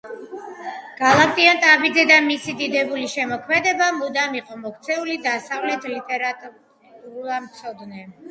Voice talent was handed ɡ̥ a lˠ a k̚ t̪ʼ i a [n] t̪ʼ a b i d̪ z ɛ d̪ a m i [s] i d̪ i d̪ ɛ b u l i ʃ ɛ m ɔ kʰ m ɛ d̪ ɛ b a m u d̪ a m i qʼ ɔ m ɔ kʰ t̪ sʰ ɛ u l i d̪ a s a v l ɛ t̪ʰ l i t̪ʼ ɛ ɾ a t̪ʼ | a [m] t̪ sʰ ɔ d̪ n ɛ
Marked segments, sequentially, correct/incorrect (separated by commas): correct, correct, correct